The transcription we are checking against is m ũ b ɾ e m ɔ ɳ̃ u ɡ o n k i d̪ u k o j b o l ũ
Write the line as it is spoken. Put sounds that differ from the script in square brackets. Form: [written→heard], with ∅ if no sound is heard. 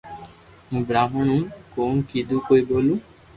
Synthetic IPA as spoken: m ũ b ɾ [e→a] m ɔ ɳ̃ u [ɡ→k] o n k i d̪ u k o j b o l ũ